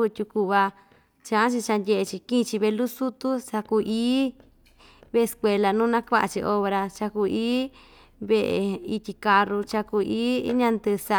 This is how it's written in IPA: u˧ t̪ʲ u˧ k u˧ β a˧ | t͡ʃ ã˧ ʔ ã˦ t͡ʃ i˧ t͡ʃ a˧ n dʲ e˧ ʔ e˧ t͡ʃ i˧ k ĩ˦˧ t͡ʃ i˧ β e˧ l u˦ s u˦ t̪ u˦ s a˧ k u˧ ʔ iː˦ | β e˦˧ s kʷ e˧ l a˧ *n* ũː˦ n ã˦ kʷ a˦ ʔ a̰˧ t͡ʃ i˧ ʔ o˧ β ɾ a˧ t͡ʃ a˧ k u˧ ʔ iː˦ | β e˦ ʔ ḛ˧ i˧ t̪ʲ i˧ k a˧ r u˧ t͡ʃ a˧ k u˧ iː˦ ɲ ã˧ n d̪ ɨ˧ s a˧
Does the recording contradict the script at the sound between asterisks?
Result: no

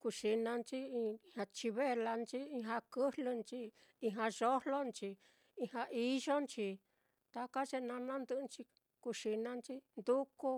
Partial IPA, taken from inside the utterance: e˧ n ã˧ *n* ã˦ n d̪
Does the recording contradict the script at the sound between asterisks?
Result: no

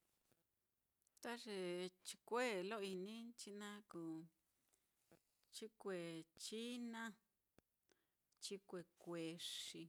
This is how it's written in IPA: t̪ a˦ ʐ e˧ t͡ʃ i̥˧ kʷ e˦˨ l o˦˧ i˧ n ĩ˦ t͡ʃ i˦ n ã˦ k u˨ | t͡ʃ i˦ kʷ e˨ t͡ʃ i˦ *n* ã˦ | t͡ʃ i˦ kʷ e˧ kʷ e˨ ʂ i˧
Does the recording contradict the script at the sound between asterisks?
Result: no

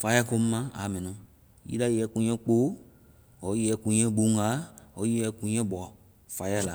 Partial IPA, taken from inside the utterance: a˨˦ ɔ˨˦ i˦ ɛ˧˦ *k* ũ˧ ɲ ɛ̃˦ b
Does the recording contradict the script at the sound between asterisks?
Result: no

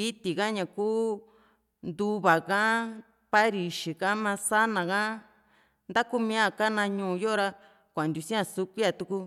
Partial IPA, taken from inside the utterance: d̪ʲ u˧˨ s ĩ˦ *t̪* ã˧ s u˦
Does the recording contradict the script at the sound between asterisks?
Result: yes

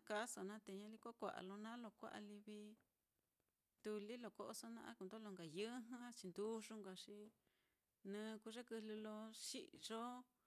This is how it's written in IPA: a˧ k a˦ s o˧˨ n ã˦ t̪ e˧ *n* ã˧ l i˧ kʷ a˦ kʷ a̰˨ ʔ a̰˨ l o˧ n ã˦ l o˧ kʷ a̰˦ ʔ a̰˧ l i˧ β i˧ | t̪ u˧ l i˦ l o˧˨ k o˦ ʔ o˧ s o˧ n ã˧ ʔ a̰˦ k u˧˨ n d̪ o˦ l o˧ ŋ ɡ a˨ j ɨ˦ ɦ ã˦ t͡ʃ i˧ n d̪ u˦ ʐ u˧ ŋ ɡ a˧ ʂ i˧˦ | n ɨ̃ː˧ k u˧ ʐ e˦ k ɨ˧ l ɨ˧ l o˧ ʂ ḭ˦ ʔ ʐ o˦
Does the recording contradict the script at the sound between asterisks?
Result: yes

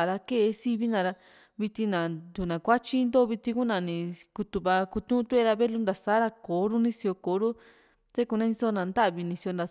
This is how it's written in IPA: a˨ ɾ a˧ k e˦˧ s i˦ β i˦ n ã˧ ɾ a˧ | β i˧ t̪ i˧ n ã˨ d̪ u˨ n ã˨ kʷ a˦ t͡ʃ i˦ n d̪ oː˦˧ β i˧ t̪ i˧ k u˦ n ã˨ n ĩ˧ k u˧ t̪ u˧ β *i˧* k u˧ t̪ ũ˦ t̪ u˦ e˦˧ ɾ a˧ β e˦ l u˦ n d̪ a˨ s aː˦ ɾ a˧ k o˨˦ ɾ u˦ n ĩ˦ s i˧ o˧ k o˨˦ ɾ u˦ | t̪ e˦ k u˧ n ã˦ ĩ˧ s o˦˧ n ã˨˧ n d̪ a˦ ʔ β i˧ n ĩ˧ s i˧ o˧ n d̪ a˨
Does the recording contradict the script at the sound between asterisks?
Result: yes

